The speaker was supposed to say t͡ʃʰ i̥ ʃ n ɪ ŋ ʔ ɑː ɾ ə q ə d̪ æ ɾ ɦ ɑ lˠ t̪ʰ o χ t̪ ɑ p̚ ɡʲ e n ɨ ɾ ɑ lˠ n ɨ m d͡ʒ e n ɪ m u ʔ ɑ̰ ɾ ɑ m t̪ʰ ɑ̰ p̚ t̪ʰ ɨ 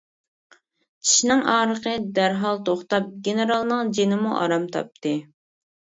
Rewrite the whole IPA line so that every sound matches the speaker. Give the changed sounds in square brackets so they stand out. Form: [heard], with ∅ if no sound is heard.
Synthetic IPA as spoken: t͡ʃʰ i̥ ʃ n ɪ ŋ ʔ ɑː ɾ ə q ə d̪ æ ɾ ɦ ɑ lˠ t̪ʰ o χ t̪ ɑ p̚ ɡʲ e n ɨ ɾ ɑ lˠ n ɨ [ŋ] d͡ʒ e n ɪ m u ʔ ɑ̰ ɾ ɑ m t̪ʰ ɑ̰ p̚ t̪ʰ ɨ